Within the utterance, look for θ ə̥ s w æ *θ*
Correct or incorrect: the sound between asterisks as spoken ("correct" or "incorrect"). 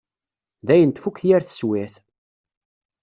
correct